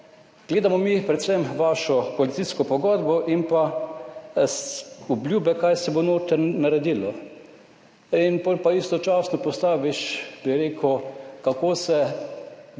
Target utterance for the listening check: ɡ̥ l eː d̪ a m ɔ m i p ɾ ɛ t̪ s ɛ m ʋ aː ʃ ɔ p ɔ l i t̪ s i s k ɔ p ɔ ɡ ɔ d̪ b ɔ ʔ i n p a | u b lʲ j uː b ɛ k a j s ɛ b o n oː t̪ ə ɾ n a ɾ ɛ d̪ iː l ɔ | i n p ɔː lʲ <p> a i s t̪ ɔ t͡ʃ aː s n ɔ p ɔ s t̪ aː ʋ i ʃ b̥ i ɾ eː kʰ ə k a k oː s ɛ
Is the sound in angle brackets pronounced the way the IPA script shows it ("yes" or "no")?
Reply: yes